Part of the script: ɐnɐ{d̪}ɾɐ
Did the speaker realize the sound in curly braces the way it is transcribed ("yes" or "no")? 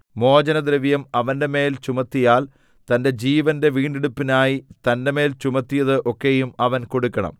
yes